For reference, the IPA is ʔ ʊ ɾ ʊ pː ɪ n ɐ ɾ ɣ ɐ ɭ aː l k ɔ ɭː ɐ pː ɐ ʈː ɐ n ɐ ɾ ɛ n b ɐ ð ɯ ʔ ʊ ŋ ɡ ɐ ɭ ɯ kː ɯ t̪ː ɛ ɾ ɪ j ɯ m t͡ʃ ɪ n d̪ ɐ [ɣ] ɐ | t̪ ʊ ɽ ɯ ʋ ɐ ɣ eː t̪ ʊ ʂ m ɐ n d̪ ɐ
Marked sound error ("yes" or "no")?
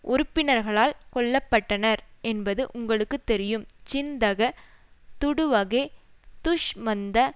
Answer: no